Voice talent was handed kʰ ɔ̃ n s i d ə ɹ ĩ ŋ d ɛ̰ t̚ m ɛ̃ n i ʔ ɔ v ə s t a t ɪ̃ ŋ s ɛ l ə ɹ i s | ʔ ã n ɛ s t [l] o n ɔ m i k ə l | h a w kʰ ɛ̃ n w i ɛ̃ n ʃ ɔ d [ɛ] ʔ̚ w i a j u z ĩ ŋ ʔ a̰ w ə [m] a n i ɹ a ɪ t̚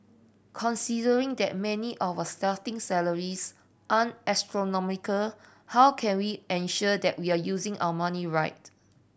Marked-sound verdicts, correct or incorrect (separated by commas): incorrect, correct, correct